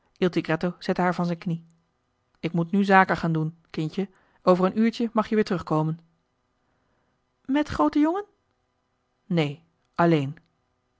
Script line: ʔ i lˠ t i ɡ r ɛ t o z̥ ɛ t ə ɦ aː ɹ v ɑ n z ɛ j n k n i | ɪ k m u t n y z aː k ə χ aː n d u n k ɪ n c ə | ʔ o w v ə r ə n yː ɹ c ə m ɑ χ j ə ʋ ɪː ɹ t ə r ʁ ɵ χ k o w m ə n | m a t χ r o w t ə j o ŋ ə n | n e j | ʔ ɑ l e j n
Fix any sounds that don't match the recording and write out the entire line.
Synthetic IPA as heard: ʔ i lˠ t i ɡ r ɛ t o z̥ ɛ t ə ɦ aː ɹ v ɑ n z ɛ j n k n i | ɪ k m u t n y z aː k ə χ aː n d u n k ɪ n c ə | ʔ o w v ə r ə n yː ɹ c ə m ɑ χ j ə ʋ ɪː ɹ t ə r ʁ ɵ χ k o w m ə n | m ɛ t χ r o w t ə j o ŋ ə n | n e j | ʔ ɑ l e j n